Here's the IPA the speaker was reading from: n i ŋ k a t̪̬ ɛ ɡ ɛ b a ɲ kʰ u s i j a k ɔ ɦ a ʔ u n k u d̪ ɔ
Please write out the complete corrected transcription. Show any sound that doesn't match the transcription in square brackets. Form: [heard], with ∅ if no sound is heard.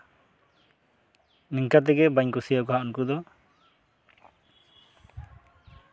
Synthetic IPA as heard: n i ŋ k a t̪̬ ɛ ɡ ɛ b a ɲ [k] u s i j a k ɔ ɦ a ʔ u n k u d̪ ɔ